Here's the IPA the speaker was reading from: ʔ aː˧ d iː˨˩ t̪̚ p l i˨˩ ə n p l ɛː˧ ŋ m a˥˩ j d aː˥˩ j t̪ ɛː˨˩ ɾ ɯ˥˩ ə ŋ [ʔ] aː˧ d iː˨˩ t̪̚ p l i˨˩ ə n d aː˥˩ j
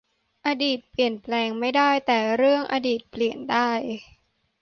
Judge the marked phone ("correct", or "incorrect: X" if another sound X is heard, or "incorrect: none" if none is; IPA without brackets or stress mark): correct